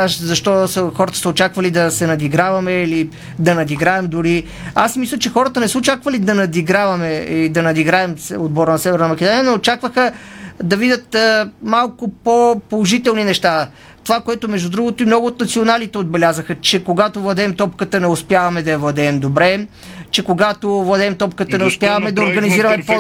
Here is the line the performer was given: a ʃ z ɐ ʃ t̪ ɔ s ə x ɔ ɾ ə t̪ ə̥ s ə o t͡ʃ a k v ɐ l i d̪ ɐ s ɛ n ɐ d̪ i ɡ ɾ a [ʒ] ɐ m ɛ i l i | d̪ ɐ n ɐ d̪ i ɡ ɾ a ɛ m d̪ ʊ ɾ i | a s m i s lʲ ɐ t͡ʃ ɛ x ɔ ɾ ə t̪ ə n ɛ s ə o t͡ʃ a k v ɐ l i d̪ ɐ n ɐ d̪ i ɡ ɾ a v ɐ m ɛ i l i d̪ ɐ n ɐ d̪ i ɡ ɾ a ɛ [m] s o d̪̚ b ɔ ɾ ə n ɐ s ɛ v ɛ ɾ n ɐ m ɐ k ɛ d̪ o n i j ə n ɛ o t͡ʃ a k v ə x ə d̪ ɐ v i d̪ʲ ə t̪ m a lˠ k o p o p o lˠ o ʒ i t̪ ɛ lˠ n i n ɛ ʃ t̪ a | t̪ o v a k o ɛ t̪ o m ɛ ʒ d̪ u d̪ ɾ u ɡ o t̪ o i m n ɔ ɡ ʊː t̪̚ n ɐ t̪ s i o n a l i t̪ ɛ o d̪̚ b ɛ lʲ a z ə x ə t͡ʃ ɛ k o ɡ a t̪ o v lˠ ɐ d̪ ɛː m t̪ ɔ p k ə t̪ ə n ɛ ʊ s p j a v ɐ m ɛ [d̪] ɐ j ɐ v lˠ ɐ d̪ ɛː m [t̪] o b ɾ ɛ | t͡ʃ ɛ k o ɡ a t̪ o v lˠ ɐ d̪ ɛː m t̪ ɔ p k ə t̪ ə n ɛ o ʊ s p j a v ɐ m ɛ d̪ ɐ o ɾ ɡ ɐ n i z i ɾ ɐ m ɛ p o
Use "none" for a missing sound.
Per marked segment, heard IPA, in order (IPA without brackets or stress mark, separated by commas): v, m, d̪, d̪